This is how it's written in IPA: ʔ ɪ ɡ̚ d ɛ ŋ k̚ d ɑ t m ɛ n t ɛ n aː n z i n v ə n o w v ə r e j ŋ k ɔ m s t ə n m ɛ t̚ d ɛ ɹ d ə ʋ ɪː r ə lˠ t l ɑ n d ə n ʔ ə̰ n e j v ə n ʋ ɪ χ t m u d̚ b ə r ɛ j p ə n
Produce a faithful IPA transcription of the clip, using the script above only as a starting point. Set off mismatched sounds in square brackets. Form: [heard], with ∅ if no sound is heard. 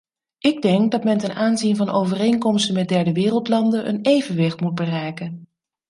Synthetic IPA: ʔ ɪ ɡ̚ d ɛ ŋ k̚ d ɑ t m ɛ n t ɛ n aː n z i n v [ɑ] n o w v ə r e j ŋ k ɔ m s t ə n m ɛ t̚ d ɛ ɹ d ə ʋ ɪː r ə lˠ t l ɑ n d ə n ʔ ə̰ n e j v ə n ʋ ɪ χ t m u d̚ b ə r ɛ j [k] ə n